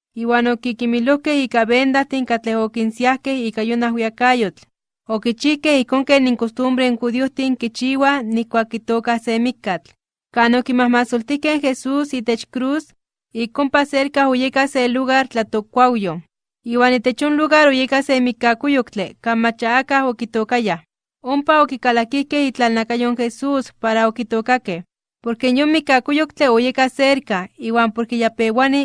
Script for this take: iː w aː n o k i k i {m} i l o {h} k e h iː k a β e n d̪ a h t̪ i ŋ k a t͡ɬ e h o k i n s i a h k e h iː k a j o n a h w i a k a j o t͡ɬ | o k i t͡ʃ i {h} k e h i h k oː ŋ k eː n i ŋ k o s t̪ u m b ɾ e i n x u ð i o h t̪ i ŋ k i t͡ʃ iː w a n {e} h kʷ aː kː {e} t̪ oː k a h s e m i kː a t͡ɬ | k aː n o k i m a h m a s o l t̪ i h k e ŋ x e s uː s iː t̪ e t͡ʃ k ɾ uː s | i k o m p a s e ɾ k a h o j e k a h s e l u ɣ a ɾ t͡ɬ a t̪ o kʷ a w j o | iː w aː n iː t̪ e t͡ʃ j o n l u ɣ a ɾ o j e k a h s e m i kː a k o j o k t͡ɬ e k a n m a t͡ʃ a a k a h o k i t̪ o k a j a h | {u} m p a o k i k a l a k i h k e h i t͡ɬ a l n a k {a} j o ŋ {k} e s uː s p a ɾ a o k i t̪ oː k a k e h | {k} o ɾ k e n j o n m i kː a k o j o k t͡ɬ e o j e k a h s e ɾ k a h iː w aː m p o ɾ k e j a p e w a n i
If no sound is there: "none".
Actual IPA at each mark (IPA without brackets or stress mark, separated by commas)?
m, h, h, i, i, o, a, x, p